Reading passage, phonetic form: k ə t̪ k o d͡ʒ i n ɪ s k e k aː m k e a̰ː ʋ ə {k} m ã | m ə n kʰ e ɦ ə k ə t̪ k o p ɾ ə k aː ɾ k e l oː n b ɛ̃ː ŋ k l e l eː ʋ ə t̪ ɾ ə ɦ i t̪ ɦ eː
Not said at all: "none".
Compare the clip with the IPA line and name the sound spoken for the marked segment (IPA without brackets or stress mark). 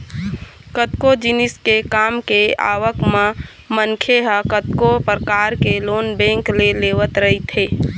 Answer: k